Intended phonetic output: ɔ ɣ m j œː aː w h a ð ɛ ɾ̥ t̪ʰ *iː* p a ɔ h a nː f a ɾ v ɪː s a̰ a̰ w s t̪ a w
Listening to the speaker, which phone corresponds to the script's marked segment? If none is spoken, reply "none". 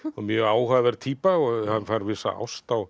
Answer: iː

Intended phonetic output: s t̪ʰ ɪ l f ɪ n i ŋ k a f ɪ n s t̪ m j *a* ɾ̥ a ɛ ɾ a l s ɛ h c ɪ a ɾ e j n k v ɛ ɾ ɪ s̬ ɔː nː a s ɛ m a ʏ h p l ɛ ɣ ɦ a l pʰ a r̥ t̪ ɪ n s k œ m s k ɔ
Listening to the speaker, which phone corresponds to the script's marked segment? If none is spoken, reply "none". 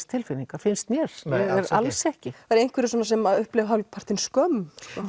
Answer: ɛ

